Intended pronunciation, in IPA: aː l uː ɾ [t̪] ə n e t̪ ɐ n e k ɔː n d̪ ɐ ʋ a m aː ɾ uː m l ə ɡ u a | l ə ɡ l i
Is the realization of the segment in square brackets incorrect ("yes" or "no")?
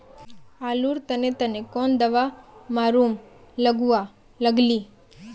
no